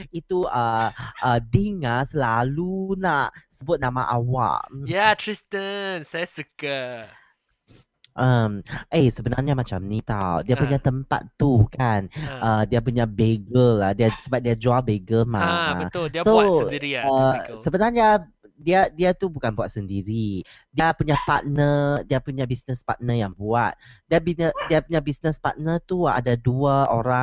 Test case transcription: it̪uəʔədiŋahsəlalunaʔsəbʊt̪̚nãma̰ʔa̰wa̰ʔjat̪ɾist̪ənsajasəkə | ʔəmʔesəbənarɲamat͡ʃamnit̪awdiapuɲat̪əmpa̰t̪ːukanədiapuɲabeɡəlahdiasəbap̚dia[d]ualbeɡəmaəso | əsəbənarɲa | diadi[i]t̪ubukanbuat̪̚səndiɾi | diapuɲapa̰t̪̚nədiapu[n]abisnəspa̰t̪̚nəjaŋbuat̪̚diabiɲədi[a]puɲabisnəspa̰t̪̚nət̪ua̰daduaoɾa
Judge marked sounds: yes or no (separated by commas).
no, no, no, yes